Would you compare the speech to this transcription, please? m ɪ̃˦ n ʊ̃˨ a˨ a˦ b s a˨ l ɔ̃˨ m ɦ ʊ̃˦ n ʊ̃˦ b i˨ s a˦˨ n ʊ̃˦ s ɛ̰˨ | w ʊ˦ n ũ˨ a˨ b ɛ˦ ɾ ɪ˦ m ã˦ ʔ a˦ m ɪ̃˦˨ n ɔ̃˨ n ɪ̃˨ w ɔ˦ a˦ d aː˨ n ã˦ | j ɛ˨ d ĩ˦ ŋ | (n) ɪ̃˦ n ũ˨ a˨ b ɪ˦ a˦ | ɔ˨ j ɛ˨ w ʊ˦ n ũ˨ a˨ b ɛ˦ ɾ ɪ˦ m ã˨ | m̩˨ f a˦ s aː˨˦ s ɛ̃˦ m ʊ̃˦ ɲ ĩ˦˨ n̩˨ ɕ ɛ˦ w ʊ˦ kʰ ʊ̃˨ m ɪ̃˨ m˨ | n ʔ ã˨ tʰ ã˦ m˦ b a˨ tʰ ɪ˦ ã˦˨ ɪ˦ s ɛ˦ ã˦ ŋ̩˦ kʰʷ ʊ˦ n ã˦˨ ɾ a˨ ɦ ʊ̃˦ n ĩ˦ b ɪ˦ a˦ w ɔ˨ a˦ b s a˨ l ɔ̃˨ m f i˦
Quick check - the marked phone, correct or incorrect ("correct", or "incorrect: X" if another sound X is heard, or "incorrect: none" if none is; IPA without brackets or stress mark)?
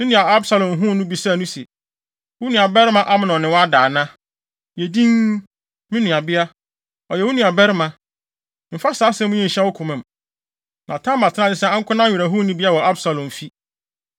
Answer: incorrect: m